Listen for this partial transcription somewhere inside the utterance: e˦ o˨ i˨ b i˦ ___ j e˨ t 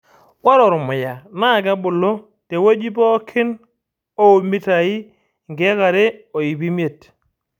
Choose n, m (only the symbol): m